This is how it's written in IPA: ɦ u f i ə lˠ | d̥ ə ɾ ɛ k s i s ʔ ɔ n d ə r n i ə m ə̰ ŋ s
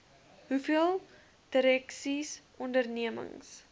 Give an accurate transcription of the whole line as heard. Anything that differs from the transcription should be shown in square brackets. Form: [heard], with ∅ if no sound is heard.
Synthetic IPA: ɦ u f i ə lˠ | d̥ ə ɾ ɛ k s i s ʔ ɔ n d ə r n i ə m ə̰ ŋ s